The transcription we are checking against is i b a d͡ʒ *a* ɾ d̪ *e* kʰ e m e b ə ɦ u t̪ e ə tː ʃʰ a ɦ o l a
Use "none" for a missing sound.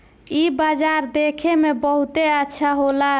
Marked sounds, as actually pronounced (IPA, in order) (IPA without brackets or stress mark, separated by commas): a, e